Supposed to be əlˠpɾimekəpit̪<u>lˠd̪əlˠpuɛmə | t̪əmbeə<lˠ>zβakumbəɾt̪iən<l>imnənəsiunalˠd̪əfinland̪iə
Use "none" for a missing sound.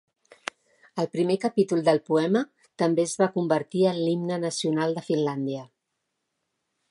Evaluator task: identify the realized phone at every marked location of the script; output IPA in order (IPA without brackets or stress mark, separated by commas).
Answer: u, none, l